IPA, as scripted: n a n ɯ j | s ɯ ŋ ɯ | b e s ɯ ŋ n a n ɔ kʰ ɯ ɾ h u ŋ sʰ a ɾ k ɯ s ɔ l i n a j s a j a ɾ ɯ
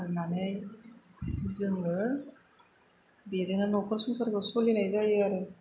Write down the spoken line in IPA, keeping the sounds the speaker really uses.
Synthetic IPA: n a n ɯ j | z ɯ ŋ ɯ | b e z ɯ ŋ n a n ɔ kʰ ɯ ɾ s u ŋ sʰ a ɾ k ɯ s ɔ l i n a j z a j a ɾ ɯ

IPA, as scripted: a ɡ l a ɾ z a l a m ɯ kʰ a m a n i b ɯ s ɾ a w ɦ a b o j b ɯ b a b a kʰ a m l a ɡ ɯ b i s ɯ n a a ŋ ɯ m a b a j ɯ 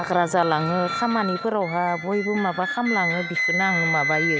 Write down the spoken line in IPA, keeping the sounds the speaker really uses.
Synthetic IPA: a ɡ ɾ a z a l a ŋ ɯ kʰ a m a n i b ɯ ɾ a w ɦ a b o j b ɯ m a b a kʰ a m l a ŋ ɯ b i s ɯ n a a ŋ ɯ m a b a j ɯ

